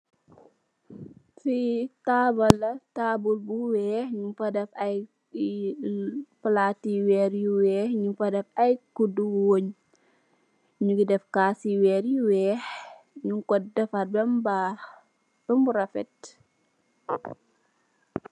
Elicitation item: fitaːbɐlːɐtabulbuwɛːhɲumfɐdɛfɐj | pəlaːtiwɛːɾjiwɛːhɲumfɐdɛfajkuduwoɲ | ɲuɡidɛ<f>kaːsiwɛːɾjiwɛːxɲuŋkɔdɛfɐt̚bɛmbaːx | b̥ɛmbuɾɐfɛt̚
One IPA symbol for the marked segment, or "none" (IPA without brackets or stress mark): f